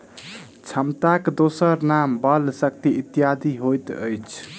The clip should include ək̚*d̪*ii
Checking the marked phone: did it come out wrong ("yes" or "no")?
yes